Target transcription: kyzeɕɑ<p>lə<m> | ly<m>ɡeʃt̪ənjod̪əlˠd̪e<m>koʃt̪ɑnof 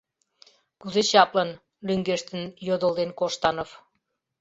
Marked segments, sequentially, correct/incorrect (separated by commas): correct, incorrect, incorrect, incorrect